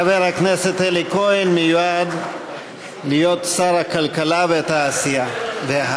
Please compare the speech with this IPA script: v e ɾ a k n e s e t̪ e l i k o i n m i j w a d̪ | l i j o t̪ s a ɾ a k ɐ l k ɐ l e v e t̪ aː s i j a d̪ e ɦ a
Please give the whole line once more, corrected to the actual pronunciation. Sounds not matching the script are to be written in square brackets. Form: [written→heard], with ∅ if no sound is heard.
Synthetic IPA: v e ɾ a k n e s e t̪ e l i k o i n m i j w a d̪ | l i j o t̪ s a ɾ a k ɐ l k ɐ l [e→a] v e t̪ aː s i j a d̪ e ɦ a